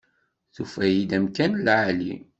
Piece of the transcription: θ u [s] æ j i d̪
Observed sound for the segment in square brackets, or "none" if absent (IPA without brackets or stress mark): f